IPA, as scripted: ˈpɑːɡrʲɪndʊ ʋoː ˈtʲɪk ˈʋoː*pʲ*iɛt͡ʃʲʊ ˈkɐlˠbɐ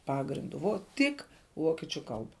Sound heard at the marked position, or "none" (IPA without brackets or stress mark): kʲ